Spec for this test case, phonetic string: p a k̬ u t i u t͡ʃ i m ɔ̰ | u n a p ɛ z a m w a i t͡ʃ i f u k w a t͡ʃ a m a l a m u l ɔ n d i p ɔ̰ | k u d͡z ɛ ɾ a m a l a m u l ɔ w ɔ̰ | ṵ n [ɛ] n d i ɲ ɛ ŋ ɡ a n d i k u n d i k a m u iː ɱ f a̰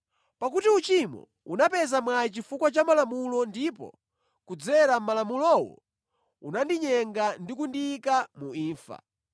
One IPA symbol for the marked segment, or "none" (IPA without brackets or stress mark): a